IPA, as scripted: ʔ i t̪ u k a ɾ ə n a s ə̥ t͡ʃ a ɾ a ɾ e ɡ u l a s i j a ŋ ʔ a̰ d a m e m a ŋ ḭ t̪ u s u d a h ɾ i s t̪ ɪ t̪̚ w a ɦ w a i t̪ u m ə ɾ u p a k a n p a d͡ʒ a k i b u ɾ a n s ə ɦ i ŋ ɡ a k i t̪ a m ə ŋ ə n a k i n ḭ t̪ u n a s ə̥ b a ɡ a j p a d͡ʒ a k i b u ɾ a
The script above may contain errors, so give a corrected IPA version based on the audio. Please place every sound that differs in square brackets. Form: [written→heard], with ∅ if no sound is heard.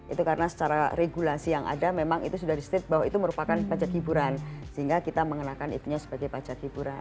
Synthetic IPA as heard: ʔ i t̪ u k a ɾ ə n a s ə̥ t͡ʃ a ɾ a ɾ e ɡ u l a s i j a ŋ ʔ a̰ d a m e m a ŋ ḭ t̪ u s u d a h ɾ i s t̪ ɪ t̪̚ [w→b] a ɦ w a i t̪ u m ə ɾ u p a k a n p a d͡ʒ a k i b u ɾ a n s ə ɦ i ŋ ɡ a k i t̪ a m ə ŋ ə n a k [i→a] n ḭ t̪ u [n→ɲ] a s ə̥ b a ɡ a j p a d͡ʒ a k i b u ɾ a